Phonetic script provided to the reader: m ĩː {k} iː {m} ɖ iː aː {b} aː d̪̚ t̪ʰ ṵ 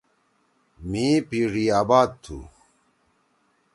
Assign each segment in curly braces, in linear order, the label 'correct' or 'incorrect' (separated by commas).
incorrect, incorrect, correct